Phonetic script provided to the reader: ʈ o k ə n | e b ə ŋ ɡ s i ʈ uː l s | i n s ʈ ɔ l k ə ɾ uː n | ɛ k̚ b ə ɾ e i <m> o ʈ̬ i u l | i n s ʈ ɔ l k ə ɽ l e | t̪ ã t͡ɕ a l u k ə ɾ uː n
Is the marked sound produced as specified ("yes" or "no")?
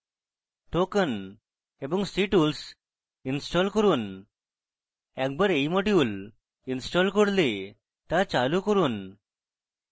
yes